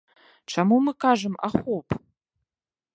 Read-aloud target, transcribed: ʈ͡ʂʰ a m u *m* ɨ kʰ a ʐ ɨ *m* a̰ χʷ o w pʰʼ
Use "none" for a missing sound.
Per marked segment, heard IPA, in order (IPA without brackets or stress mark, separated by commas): m, m